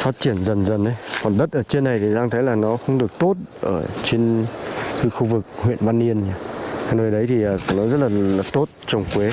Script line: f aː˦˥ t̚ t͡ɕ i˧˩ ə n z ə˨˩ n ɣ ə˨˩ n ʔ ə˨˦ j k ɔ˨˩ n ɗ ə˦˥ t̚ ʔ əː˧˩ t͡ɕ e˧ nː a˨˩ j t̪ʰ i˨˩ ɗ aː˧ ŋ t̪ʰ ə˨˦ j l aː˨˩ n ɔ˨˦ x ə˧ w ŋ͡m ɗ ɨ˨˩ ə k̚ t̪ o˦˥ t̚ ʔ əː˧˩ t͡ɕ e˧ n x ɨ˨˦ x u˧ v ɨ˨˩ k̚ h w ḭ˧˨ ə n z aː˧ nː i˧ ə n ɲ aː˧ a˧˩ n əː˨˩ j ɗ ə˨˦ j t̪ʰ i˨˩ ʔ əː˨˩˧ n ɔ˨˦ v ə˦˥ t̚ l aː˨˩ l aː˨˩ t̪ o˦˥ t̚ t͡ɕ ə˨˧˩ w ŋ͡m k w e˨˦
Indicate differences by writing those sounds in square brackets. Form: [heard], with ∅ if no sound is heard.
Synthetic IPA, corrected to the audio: f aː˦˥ t̚ t͡ɕ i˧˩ ə n z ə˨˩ n [z] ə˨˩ n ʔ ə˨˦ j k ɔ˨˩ n ɗ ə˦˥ t̚ ʔ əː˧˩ t͡ɕ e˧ nː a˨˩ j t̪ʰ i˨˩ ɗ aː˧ ŋ t̪ʰ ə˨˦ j l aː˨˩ n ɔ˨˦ x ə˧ w ŋ͡m ɗ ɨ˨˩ ə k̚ t̪ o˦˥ t̚ ʔ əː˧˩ t͡ɕ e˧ n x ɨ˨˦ x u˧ v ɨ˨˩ k̚ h w ḭ˧˨ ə n [v] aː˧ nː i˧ ə n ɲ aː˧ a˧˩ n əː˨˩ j ɗ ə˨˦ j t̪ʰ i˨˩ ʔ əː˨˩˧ n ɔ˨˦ [z] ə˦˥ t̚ l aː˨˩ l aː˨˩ t̪ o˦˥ t̚ t͡ɕ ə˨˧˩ w ŋ͡m k w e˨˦